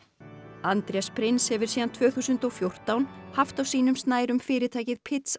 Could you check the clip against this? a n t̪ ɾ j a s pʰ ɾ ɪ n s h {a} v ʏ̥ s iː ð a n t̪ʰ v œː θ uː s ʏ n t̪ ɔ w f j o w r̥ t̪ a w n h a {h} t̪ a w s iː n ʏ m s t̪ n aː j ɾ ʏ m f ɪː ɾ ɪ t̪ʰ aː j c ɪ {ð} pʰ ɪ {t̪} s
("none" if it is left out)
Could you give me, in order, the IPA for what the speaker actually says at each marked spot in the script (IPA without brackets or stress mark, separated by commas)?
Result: ɛ, f, ð, t̪